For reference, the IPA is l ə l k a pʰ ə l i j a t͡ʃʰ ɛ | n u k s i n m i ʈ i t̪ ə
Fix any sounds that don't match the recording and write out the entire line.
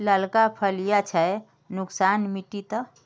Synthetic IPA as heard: l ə l k a pʰ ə l i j a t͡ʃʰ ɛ | n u k s a n m i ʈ i t̪ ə